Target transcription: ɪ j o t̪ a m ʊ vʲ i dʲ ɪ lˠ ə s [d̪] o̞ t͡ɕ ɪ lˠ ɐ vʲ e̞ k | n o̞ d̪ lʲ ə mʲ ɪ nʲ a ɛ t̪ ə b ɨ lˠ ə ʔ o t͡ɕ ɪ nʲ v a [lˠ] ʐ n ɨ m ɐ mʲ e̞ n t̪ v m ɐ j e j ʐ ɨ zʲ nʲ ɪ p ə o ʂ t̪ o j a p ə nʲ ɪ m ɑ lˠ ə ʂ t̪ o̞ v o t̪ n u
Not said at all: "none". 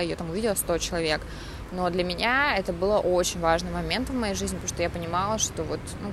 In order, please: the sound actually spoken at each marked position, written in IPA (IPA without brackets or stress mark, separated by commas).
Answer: t̪, none